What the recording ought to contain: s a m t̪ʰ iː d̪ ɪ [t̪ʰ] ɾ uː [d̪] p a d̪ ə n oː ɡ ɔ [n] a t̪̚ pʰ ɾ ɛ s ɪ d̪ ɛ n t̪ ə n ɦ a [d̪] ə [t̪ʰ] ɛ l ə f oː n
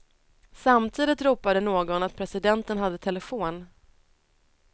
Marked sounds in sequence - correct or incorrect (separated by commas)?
incorrect, incorrect, correct, incorrect, correct